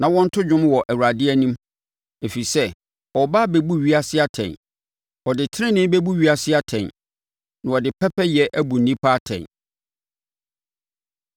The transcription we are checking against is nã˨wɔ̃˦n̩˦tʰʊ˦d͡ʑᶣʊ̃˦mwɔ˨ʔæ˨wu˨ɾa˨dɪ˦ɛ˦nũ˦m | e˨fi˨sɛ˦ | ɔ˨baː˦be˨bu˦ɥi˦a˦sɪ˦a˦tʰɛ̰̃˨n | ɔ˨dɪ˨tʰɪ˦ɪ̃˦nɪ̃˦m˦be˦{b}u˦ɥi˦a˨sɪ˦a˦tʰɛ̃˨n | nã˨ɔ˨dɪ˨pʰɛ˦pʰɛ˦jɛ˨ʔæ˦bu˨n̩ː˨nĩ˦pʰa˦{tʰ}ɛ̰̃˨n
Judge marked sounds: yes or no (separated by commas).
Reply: yes, yes